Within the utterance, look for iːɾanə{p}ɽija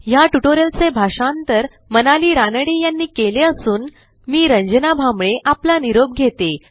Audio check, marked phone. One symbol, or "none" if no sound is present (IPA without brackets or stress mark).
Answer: none